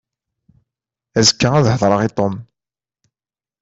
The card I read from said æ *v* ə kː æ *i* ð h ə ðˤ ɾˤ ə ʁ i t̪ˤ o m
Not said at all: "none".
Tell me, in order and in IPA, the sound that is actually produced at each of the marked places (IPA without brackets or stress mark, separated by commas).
z, æ